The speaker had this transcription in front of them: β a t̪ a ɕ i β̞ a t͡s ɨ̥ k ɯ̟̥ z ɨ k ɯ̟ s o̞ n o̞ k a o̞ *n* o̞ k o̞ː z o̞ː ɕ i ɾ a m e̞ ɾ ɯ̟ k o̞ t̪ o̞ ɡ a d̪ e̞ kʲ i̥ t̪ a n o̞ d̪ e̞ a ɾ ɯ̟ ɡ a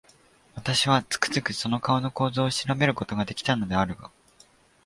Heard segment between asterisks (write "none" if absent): n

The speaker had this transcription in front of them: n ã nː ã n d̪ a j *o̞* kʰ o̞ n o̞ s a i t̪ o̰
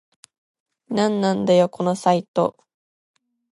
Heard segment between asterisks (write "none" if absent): o̞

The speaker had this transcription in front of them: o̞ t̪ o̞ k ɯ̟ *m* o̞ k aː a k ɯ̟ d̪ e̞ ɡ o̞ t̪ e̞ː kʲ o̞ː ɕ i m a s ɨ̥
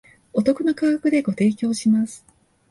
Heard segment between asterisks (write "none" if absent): n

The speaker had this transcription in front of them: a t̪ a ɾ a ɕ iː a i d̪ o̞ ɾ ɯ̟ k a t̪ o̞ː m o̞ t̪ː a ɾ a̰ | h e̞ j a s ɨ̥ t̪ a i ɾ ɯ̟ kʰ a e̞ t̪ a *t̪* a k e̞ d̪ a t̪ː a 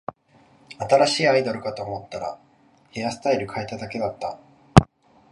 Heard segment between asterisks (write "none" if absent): d̪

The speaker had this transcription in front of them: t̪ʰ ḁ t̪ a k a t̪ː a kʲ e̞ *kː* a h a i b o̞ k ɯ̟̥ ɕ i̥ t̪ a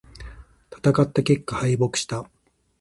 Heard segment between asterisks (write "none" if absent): kː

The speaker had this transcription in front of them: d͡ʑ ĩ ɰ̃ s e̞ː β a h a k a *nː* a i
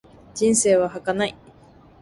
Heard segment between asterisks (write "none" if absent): n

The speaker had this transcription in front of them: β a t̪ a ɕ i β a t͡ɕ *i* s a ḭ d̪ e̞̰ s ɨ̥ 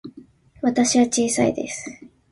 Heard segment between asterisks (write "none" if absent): iː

